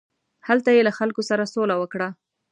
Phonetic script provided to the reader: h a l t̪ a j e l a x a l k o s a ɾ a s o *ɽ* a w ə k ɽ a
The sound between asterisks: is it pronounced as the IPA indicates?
no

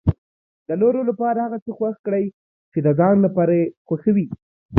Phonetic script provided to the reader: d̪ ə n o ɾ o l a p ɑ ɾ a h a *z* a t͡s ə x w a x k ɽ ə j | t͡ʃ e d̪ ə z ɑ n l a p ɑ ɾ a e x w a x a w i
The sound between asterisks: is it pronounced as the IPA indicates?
no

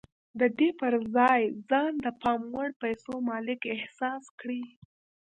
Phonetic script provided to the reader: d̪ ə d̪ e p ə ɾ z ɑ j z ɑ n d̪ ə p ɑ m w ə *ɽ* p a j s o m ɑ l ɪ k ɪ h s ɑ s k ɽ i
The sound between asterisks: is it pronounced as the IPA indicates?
yes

